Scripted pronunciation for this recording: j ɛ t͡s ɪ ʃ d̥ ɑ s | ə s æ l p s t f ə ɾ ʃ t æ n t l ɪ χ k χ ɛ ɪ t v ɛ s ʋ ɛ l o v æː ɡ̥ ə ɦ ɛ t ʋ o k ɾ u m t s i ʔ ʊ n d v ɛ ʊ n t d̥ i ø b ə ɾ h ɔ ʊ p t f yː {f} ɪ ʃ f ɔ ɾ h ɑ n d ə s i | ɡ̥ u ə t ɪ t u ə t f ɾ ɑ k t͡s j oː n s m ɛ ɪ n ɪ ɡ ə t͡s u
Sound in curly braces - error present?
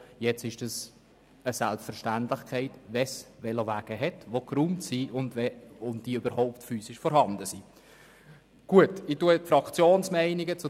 yes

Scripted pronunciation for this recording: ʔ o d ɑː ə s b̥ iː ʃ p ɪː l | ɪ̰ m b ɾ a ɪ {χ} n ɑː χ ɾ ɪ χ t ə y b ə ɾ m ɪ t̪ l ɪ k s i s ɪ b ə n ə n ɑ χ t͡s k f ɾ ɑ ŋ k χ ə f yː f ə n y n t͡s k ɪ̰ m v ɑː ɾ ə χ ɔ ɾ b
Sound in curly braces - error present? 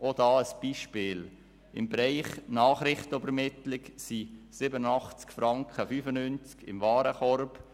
no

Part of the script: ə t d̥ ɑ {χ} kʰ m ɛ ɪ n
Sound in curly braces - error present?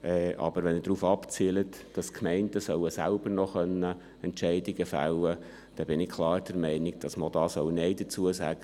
yes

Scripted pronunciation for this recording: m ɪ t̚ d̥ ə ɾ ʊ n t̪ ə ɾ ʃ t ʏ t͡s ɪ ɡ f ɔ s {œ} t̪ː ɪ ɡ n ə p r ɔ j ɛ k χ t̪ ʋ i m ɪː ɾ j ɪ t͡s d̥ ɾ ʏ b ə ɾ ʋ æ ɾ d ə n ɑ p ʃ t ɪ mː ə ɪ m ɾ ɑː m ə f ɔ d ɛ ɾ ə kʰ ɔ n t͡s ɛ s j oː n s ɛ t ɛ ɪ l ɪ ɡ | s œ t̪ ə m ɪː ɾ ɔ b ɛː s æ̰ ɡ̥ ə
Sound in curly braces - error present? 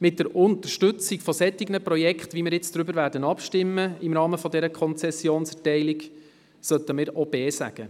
yes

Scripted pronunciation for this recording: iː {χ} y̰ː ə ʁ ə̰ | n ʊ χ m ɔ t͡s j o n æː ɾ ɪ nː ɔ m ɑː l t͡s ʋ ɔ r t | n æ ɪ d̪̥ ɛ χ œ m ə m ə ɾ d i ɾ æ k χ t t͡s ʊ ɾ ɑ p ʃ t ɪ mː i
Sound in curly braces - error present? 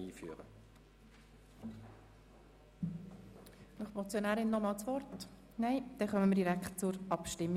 yes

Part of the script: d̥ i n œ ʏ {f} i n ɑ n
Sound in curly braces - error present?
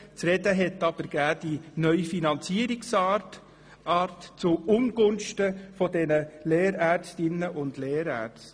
no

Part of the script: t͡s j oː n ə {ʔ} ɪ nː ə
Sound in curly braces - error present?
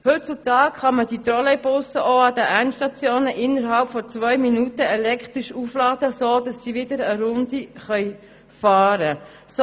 no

